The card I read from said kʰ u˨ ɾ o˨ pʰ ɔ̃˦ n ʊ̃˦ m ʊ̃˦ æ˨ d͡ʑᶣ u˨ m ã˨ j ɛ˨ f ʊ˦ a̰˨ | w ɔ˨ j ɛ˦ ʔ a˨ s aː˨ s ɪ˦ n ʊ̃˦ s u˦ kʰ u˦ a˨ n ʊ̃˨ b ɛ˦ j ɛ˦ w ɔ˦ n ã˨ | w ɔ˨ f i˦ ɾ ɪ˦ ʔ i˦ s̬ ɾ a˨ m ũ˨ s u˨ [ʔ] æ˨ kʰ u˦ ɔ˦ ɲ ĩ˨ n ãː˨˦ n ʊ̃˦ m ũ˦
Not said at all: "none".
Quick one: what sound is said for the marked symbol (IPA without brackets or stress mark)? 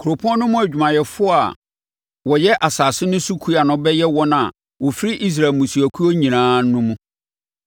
none